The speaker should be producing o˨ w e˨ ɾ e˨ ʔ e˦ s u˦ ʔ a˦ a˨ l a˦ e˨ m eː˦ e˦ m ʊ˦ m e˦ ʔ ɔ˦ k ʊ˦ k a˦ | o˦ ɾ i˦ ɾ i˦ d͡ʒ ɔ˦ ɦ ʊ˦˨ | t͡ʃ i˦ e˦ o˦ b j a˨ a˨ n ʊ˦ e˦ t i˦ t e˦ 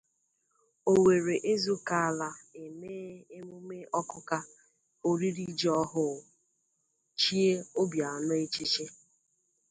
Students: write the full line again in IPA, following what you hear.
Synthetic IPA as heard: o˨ w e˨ ɾ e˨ ʔ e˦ z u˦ k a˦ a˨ l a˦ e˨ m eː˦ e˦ m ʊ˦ m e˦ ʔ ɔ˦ k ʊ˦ k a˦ | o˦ ɾ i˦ ɾ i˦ d͡ʒ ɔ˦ ɦ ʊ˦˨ | t͡ʃ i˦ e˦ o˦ b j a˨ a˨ n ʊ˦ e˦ t͡ʃ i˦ t͡ʃ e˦